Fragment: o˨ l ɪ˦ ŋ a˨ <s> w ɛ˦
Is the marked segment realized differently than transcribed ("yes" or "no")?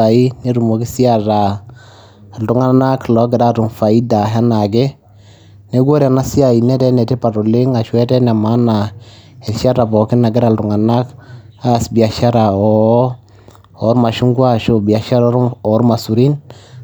yes